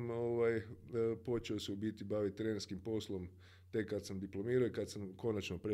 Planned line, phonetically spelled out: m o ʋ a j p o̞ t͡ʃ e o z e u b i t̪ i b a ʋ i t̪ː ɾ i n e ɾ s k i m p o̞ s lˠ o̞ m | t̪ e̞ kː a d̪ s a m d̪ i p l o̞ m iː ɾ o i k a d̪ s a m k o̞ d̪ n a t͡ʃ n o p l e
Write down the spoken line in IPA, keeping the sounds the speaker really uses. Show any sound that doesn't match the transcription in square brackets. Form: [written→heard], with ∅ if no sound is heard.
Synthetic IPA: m o ʋ a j p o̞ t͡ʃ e o [z→s] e u b i t̪ i b a ʋ i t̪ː ɾ [i→e] n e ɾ s k i m p o̞ s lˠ o̞ m | t̪ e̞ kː a d̪ s a m d̪ i p l o̞ m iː ɾ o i k a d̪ s a m k o̞ [d̪→∅] n a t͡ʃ n o p [l→ɾ] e